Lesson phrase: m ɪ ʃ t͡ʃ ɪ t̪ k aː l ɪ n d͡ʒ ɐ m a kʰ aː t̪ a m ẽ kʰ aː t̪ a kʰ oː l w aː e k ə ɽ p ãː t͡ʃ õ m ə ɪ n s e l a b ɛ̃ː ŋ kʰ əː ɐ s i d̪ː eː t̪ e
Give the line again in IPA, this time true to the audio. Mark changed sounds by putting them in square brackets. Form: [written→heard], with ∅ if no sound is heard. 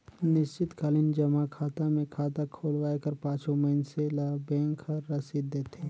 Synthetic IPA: [m→n] ɪ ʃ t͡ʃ ɪ t̪ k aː l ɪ n d͡ʒ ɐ m a kʰ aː t̪ a m ẽ kʰ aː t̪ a kʰ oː l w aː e k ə [ɽ→ɾ] p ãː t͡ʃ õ m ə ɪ n s e l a b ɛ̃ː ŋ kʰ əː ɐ s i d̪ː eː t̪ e